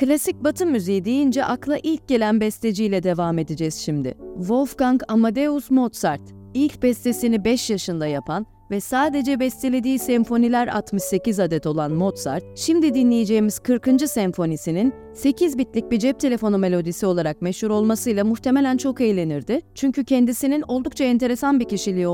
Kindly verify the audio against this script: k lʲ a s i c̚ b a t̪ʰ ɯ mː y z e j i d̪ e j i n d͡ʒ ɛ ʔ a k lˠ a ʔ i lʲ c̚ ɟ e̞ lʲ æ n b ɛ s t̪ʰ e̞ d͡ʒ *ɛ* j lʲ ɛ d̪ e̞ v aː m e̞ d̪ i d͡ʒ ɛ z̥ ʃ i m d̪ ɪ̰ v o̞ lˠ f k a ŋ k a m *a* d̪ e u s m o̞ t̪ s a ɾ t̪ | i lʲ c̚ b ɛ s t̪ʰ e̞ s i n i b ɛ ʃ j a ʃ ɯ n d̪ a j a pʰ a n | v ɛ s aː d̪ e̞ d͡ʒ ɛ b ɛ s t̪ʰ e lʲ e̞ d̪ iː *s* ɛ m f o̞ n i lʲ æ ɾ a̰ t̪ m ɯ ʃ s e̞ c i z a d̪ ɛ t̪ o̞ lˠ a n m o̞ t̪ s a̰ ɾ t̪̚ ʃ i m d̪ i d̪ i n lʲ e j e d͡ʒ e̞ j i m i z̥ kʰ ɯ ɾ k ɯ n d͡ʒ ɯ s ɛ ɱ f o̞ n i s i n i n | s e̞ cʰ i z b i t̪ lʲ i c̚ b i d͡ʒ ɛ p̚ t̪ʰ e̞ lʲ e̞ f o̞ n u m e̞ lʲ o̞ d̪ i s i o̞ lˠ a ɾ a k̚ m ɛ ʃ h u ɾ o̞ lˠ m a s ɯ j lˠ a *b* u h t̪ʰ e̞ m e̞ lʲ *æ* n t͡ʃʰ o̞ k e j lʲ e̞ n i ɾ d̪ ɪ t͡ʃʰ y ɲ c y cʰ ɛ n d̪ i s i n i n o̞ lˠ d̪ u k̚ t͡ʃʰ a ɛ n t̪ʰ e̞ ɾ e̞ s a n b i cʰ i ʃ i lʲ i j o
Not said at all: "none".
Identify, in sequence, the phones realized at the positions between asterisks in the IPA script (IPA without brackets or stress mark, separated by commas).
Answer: i, a, s, m, æ